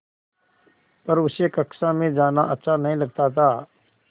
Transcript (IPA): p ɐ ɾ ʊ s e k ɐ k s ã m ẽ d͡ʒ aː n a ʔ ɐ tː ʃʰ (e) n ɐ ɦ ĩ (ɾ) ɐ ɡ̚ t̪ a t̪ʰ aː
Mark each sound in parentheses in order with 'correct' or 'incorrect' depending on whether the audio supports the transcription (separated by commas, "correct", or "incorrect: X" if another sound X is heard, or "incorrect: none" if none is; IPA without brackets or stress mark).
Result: incorrect: a, incorrect: l